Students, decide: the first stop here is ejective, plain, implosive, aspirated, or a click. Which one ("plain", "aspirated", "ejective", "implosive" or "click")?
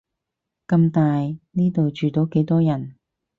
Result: plain